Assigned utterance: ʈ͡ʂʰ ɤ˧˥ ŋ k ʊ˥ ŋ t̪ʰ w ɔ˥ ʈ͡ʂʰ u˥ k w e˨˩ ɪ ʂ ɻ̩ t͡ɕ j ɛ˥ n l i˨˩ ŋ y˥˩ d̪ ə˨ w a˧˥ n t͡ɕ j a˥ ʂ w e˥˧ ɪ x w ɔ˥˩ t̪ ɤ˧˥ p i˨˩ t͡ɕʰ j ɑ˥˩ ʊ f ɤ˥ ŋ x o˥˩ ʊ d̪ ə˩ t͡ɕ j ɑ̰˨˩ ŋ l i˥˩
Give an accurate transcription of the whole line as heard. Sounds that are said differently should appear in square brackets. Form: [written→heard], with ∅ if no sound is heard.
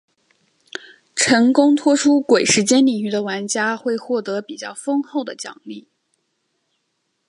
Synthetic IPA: ʈ͡ʂʰ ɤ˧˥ ŋ k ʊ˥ ŋ t̪ʰ w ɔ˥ ʈ͡ʂʰ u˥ k w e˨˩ ɪ ʂ ɻ̩ t͡ɕ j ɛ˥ n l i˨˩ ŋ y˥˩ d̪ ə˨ w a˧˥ n t͡ɕ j a˥ [ʂ→x] w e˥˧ ɪ x w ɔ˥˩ t̪ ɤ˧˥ p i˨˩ [t͡ɕʰ→t͡ɕ] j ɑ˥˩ ʊ f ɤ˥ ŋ x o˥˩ ʊ d̪ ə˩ t͡ɕ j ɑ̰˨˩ ŋ l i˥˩